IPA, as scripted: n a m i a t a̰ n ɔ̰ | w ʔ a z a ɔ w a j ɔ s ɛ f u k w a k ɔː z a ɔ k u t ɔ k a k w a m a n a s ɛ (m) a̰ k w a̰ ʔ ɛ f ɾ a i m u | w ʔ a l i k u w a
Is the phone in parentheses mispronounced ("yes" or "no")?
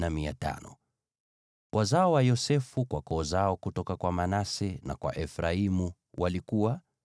yes